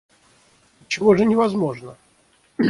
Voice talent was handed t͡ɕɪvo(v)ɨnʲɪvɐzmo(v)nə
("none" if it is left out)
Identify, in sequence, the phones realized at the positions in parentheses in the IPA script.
ʐ, ʐ

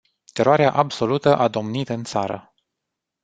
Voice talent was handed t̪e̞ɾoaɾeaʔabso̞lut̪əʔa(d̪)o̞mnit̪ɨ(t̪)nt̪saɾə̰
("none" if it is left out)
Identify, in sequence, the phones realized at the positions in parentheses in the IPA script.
d̪, none

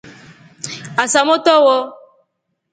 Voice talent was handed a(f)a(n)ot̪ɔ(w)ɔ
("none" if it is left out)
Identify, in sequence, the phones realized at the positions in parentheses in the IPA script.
s, m, w

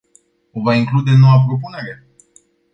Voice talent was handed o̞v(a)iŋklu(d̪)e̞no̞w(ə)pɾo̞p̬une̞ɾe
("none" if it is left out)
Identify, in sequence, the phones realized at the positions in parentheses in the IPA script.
a, d̪, a

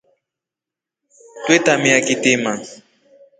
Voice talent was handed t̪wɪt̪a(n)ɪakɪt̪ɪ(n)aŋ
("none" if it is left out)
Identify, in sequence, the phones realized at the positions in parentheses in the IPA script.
m, m

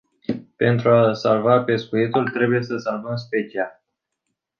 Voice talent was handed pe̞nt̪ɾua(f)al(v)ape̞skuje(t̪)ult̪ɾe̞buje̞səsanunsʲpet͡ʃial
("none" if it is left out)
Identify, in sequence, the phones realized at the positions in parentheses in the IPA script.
s, v, t̪

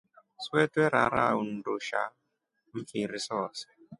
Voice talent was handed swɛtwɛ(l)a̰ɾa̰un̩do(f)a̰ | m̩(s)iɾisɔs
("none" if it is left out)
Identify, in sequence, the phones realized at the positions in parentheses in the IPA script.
ɾ, ʃ, f

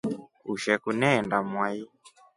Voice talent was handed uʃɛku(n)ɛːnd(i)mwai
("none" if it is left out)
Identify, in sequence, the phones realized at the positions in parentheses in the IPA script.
n, a

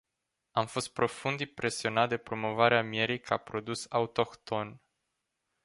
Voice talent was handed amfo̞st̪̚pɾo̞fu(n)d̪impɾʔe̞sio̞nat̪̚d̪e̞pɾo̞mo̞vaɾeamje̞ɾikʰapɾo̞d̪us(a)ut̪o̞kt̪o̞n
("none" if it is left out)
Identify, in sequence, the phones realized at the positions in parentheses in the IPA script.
n, a

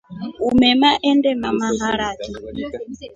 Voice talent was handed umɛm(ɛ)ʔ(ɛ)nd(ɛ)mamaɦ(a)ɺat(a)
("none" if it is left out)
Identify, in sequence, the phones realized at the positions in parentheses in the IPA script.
a, ɛ, ɛ, a, i

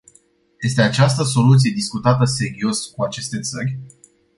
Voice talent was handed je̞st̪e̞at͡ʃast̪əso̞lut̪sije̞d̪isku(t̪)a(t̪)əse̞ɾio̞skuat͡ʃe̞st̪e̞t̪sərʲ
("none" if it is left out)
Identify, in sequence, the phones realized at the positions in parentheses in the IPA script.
t̪, t̪

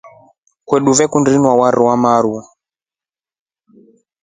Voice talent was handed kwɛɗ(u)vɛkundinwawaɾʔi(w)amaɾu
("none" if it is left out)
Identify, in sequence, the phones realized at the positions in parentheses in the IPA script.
u, w

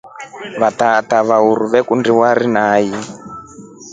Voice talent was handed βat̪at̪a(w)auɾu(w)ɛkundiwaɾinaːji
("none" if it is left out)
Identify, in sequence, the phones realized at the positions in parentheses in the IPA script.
β, β

